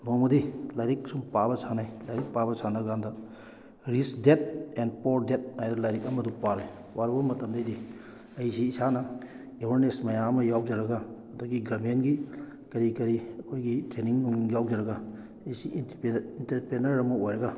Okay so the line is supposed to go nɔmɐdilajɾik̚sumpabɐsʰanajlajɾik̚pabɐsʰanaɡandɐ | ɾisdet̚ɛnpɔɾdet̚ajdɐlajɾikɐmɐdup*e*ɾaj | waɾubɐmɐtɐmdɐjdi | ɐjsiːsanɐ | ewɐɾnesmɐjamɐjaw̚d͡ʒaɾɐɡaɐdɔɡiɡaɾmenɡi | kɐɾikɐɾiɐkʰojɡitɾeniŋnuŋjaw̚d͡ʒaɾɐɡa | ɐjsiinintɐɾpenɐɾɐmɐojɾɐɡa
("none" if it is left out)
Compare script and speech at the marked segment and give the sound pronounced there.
a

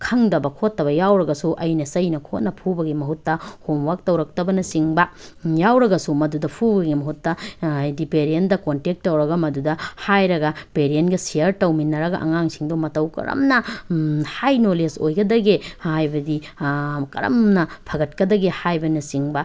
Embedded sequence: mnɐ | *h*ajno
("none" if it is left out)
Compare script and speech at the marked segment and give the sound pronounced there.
h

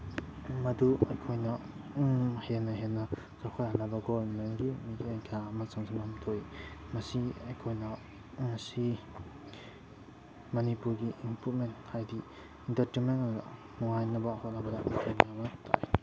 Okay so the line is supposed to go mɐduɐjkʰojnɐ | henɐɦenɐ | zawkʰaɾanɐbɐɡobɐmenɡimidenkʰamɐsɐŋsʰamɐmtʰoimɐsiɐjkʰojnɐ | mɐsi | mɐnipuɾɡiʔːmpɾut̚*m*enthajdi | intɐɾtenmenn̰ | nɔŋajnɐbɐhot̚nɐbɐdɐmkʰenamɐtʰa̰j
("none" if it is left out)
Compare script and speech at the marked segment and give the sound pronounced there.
m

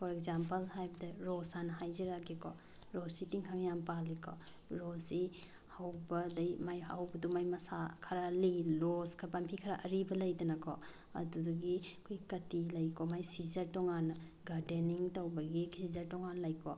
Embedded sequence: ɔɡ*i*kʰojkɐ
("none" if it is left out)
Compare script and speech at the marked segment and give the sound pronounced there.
i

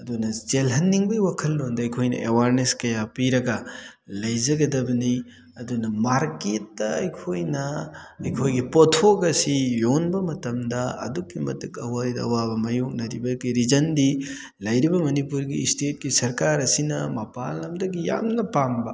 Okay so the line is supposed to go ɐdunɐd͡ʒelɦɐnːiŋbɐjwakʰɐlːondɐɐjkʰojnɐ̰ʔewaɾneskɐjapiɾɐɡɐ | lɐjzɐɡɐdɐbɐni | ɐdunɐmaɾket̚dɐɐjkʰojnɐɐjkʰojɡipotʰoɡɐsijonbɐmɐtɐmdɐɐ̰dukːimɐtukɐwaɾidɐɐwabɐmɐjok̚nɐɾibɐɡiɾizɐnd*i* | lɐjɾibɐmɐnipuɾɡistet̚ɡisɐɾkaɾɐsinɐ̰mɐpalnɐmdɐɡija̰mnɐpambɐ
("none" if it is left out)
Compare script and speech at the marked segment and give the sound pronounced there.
i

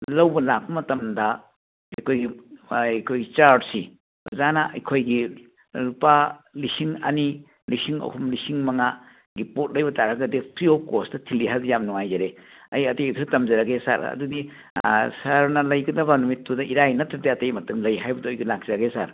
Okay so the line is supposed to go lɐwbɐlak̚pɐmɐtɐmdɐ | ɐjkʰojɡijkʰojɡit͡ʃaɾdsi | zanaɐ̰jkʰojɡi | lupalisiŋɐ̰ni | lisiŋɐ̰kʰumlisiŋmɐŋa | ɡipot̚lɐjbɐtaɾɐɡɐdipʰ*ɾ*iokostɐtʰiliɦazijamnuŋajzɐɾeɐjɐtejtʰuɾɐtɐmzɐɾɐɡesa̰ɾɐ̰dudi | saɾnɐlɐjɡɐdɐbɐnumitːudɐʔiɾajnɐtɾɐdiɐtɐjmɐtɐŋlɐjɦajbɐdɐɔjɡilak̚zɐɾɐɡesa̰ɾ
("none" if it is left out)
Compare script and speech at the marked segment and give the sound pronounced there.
ɾ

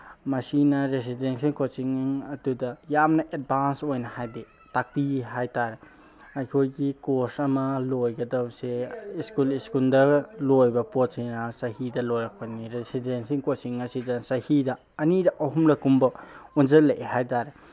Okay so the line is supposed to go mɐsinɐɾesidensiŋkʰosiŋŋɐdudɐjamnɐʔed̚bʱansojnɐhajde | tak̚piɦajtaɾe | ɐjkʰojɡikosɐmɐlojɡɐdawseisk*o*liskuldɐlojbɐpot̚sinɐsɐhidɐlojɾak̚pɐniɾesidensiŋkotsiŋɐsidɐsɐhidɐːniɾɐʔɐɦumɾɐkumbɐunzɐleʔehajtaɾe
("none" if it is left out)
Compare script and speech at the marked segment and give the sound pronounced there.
u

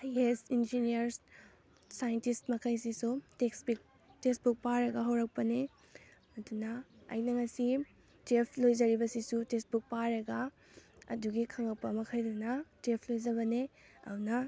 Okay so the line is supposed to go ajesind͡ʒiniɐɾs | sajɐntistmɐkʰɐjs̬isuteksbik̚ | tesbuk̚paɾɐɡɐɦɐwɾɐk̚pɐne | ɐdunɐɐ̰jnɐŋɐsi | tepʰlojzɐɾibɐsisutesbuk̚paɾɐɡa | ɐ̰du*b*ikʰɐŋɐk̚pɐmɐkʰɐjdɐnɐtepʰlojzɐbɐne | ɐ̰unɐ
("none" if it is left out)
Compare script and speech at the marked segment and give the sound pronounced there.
ɡ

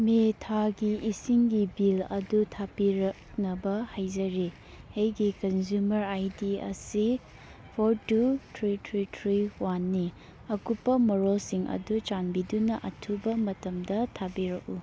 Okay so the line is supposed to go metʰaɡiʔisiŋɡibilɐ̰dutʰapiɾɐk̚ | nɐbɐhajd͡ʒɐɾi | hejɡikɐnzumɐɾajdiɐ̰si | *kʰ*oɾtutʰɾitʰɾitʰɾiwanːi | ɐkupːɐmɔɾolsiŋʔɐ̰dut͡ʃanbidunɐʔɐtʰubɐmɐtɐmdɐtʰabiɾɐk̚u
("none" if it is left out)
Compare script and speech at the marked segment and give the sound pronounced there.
pʰ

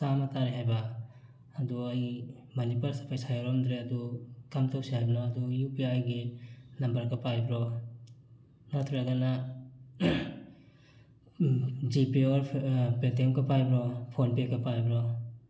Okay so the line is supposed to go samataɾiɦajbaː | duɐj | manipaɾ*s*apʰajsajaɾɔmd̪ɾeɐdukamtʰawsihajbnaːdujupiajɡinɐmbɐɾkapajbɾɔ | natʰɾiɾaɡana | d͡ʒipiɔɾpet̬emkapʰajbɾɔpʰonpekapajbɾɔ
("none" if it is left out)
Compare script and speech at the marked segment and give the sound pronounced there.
s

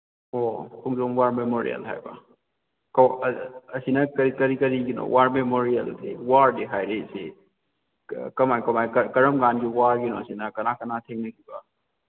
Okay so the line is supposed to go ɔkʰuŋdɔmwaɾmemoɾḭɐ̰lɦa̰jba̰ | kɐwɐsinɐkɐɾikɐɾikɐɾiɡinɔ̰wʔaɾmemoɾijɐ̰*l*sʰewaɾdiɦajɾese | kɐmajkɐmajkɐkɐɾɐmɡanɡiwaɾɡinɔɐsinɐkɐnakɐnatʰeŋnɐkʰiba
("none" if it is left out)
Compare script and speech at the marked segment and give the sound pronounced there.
l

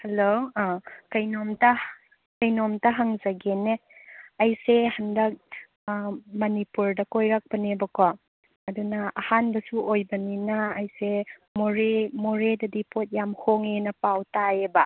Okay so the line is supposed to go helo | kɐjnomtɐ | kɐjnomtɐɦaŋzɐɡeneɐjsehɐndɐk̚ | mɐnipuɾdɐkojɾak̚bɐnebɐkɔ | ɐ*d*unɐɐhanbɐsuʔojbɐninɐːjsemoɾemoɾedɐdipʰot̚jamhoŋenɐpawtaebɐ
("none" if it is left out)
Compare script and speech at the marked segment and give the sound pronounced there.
d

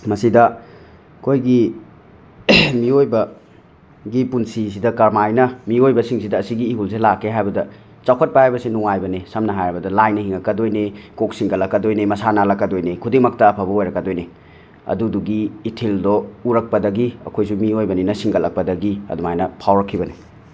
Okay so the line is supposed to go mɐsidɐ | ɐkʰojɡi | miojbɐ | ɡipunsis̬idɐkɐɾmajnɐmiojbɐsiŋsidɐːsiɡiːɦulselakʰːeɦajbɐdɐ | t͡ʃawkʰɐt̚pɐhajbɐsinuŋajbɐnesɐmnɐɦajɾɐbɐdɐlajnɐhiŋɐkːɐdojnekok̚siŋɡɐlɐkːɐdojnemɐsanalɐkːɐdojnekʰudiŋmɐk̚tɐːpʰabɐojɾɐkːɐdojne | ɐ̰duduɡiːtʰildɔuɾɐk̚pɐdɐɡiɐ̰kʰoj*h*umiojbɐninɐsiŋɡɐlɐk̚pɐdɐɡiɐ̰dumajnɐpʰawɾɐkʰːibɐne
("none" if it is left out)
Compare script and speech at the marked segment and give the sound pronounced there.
s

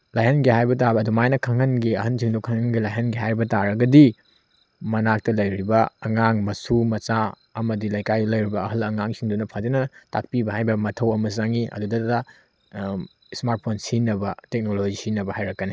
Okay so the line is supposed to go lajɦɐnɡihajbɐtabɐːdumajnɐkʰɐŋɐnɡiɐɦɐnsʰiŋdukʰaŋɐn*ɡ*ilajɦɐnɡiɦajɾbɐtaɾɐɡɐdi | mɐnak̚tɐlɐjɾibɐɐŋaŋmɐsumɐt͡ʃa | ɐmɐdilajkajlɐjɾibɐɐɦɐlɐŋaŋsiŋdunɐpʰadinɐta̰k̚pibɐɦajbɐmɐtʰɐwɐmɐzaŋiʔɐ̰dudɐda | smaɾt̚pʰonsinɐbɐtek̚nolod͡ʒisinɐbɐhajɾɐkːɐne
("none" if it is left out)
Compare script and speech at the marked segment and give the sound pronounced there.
ɡ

